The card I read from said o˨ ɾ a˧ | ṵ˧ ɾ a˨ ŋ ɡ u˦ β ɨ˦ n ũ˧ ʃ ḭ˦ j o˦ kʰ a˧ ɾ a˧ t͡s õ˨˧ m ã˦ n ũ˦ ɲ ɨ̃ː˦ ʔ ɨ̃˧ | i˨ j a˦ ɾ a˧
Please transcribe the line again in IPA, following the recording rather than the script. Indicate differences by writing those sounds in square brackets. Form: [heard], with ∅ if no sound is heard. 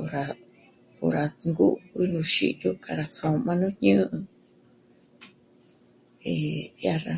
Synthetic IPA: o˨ ɾ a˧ | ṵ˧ ɾ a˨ ŋ ɡ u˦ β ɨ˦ n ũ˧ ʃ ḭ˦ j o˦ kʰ a˧ ɾ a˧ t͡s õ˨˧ m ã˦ n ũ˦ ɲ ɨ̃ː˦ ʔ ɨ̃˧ | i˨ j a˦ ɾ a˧